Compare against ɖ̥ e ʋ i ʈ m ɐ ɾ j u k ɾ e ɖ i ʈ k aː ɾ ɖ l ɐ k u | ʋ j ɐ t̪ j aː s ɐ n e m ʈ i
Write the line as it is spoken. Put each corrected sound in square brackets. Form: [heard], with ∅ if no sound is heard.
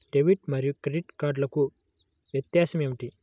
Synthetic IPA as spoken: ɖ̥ e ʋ i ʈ m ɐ ɾ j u k ɾ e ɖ i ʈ k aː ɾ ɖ l ɐ k u | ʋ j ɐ t̪ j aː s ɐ [m] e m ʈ i